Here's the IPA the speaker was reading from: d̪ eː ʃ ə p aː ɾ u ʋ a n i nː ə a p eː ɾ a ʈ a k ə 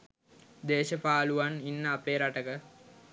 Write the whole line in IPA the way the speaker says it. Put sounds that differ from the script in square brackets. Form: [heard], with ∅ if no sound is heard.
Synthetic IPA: d̪ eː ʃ ə p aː [l] u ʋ a n i nː ə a p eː ɾ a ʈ [ə] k ə